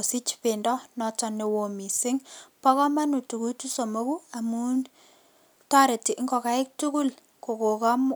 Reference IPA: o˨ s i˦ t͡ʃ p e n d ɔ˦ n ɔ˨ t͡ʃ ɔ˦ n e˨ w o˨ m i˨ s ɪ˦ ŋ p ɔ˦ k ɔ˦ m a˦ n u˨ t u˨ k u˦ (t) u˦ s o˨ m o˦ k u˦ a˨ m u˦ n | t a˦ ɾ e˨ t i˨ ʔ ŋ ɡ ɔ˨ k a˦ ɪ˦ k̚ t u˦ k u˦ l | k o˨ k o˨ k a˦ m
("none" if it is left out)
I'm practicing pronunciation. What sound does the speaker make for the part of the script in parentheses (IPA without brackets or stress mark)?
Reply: t